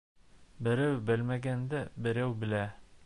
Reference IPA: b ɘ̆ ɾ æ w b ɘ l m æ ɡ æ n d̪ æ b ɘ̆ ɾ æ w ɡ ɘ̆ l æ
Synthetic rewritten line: b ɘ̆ ɾ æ w b ɘ l m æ ɡ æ n d̪ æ b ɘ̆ ɾ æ w b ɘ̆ l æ